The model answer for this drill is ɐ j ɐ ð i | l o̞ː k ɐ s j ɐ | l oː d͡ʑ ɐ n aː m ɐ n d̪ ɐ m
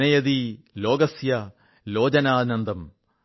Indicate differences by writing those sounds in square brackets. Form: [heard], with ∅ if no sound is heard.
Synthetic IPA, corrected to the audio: ɐ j ɐ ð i | l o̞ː [ɡ] ɐ s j ɐ | l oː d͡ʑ ɐ n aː [n] ɐ n d̪ ɐ m

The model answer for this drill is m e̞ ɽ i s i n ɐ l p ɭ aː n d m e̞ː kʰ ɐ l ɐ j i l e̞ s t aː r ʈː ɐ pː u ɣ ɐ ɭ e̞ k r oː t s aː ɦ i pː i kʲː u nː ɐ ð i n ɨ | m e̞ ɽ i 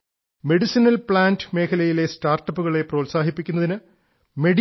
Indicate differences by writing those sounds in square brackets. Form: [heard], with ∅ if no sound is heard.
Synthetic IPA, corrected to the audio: m e̞ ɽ i s i n ɐ l p ɭ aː n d m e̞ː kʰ ɐ l ɐ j i l e̞ s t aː r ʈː ɐ pː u ɣ ɐ ɭ e̞ [p] r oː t s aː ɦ i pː i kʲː u nː ɐ ð i n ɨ | m e̞ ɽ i

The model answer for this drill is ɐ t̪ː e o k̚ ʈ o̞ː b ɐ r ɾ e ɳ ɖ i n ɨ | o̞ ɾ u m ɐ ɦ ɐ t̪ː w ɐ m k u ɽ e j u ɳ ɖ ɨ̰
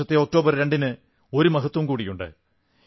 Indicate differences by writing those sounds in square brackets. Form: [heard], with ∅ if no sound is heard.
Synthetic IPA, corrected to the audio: ɐ t̪ː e o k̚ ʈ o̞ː b ɐ r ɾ e ɳ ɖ i n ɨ | o̞ ɾ u m ɐ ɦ ɐ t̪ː w ɐ m k [uː] ɽ [i] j u ɳ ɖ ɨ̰

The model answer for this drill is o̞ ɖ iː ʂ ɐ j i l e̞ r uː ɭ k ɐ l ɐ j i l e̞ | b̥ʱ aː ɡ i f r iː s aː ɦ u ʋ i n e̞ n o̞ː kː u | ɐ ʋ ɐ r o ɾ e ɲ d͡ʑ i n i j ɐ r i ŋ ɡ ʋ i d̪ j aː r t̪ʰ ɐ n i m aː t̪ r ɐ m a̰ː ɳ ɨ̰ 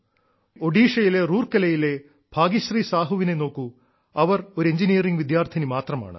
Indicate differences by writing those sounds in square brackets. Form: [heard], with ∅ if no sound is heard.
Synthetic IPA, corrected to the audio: o̞ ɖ iː ʂ ɐ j i l e̞ r uː [r] k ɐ l ɐ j i l e̞ | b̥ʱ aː ɡ i [ɕ] r iː s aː ɦ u ʋ i n e̞ n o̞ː kː u | ɐ ʋ ɐ r o ɾ e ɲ d͡ʑ i n i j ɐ r i ŋ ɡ ʋ i d̪ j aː r t̪ʰ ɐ n i m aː t̪ r ɐ m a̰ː ɳ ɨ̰

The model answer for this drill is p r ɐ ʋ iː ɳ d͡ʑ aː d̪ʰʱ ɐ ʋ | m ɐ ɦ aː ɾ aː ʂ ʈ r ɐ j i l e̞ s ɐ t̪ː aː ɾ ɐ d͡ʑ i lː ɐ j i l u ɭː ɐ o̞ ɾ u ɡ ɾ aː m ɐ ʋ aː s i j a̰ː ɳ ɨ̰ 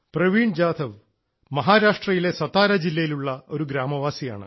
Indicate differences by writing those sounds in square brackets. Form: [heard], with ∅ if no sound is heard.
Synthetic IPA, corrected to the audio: p r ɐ ʋ iː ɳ d͡ʑ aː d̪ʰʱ ɐ ʋ | m ɐ ɦ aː ɾ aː ʂ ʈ r ɐ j i l e̞ s ɐ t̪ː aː ɾ ɐ d͡ʑ i lː ɐ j i l u ɭː ɐ o̞ ɾ u ɡ ɾ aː m ɐ ʋ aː s i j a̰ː ɳ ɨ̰

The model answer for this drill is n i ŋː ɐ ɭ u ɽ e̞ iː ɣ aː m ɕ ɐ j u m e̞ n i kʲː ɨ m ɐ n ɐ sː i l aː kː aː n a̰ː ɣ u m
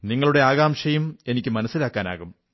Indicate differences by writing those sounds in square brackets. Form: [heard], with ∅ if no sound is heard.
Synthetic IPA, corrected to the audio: n i ŋː ɐ ɭ u ɽ e̞ [aː] ɣ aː m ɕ ɐ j u m e̞ n i kʲː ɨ m ɐ n ɐ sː i l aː kː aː n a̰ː ɣ u m

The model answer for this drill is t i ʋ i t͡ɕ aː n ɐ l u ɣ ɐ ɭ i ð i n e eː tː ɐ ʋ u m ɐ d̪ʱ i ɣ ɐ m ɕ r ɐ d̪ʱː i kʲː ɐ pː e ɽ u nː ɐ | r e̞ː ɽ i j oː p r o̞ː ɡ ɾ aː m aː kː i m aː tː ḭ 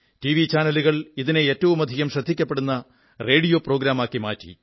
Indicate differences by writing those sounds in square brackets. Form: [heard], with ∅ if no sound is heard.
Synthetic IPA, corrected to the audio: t i ʋ i t͡ɕ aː n ɐ l u ɣ ɐ ɭ i ð i n e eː tː ɐ ʋ u m ɐ d̪ʱ i ɣ ɐ m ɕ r ɐ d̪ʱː i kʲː ɐ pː e ɽ u nː ɐ | r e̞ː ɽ i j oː p r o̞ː ɡ ɾ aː m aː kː i m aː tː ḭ

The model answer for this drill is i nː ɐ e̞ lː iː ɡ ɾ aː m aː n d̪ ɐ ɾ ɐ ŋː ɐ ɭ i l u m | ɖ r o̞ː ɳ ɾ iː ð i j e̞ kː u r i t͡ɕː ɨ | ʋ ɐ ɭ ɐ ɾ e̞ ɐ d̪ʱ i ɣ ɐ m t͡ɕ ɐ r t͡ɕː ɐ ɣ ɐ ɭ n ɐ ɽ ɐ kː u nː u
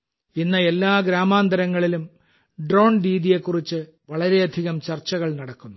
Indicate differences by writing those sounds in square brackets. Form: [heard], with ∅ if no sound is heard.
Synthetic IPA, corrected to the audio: i nː ɐ e̞ lː [aː] ɡ ɾ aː m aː n d̪ ɐ ɾ ɐ ŋː ɐ ɭ i l u m | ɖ r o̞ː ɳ ɾ iː ð i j e̞ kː u r i t͡ɕː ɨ | ʋ ɐ ɭ ɐ ɾ e̞ ɐ d̪ʱ i ɣ ɐ m t͡ɕ ɐ r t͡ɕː ɐ ɣ ɐ ɭ n ɐ ɽ ɐ kː u nː u

